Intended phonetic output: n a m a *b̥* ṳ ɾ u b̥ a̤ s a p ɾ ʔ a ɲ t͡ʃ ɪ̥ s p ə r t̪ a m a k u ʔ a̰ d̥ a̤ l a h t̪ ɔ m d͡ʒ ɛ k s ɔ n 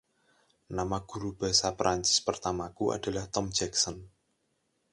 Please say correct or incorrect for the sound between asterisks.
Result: incorrect